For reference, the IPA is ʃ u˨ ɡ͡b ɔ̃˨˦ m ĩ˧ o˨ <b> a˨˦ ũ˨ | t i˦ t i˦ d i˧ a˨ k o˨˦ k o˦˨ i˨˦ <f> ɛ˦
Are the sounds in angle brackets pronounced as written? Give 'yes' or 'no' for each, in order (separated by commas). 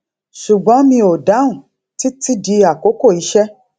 no, no